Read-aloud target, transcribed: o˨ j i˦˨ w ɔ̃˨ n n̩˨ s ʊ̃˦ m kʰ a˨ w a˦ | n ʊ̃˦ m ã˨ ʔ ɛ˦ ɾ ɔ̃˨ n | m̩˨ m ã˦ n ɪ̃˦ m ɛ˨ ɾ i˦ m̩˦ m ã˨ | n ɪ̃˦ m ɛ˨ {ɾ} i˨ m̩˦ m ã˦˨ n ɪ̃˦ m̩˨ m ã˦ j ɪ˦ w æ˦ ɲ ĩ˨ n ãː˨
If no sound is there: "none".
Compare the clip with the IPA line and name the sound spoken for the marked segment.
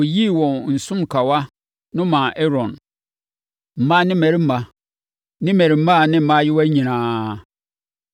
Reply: ɾ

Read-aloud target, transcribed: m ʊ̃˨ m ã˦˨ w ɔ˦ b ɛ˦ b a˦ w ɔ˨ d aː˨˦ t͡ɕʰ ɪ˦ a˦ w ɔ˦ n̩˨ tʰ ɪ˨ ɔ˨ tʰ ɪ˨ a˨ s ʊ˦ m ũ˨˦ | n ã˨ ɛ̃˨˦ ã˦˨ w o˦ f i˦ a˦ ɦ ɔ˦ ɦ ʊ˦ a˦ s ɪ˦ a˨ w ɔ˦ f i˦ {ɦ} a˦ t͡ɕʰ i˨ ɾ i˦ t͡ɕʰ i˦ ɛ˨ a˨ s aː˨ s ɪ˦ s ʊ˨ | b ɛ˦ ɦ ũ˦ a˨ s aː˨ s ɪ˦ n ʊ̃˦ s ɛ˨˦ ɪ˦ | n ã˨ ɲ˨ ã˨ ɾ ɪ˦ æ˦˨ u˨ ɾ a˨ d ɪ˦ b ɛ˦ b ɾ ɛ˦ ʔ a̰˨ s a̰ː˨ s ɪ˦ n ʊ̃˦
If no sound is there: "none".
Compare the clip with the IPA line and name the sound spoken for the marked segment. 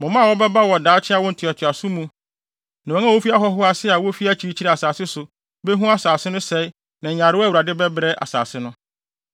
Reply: none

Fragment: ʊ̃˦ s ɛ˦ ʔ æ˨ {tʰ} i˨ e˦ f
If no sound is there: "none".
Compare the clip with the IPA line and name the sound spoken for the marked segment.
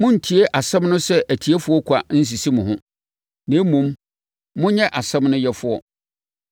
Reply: tʰ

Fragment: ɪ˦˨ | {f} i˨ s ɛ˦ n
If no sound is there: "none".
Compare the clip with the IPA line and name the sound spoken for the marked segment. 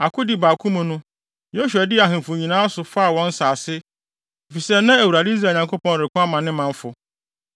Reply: f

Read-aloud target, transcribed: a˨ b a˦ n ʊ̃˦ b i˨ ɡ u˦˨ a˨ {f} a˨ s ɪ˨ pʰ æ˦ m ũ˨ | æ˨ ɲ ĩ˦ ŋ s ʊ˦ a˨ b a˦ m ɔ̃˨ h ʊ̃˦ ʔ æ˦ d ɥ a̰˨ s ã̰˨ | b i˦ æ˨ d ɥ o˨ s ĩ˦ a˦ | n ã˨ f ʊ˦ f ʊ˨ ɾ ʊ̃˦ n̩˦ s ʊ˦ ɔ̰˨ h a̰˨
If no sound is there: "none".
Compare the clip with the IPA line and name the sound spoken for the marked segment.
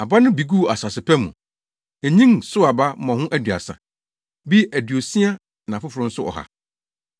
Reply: s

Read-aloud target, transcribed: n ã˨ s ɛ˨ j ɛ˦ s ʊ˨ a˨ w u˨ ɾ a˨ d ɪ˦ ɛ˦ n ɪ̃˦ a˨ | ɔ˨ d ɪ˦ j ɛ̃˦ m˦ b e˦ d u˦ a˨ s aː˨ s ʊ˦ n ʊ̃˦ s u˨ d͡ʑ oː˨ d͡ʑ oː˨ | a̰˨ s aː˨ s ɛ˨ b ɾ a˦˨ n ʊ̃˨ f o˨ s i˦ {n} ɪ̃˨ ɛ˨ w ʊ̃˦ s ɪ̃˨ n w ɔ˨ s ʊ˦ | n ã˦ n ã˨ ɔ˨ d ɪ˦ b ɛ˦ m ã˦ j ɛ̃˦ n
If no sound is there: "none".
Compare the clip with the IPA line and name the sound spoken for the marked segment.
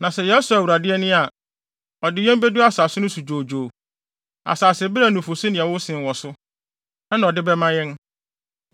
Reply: n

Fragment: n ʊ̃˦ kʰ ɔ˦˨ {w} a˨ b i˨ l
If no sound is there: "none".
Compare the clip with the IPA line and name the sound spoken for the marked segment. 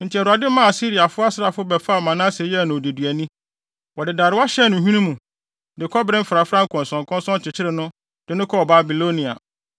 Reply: b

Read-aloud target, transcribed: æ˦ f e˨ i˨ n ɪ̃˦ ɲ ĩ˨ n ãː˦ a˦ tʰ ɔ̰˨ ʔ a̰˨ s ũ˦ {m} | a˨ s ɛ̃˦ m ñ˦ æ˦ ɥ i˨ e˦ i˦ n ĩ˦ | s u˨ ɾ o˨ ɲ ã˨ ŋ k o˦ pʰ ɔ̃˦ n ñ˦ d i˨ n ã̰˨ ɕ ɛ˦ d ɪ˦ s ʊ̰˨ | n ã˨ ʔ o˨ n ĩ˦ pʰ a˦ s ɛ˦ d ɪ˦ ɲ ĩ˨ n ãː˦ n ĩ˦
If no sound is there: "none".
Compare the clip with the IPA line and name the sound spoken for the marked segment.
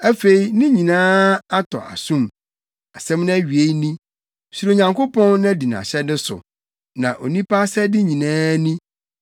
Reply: m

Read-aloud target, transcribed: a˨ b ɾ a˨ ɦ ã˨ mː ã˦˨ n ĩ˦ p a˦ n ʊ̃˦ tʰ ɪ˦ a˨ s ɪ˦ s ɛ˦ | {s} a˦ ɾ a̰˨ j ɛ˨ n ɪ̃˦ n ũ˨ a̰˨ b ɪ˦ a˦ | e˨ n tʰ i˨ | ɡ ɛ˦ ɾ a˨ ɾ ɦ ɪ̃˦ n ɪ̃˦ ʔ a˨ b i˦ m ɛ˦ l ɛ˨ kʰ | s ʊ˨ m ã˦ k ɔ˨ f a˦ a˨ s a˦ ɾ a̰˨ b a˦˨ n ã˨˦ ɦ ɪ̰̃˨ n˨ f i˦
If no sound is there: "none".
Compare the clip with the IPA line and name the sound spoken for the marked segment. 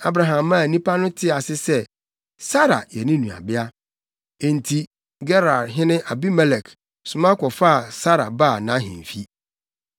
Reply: s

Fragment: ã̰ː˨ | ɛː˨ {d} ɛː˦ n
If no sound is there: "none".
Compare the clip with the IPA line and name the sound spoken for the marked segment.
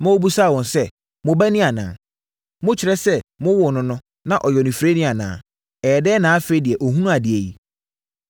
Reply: d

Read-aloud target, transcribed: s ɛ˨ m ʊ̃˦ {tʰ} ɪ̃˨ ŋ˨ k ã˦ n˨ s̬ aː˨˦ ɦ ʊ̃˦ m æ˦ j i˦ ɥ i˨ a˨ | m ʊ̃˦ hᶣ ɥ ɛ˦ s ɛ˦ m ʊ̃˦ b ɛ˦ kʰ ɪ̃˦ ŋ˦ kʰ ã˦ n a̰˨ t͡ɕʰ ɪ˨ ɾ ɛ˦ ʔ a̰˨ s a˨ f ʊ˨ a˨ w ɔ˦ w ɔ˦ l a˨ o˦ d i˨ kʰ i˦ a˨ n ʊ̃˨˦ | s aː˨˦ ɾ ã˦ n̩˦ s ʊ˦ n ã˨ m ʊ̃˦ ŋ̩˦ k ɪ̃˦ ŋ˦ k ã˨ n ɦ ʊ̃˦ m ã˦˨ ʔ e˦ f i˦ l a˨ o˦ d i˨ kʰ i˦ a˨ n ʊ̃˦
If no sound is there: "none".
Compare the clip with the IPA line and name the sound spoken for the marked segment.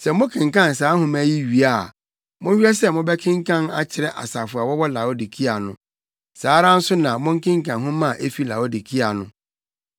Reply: kʰ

